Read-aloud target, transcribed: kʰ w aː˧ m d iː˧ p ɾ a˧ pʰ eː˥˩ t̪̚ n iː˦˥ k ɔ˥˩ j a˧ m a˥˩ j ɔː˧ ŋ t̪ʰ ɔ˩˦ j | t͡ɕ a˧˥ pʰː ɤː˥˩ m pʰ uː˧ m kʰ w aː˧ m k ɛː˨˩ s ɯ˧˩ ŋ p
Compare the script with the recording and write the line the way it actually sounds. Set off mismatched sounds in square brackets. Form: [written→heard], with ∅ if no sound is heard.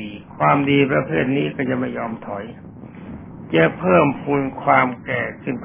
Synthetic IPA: kʰ w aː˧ m d iː˧ p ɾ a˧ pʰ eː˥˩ t̪̚ n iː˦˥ k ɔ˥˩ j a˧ m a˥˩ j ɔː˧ [ŋ→m] t̪ʰ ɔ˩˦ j | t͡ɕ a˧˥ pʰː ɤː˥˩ m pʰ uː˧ [m→n] kʰ w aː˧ m k ɛː˨˩ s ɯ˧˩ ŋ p